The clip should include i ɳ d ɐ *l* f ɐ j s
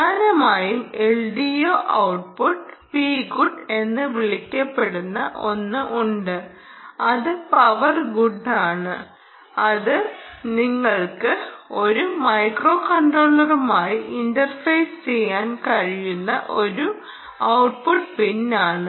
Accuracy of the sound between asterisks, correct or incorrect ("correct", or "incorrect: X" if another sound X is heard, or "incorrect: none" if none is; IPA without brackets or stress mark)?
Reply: incorrect: r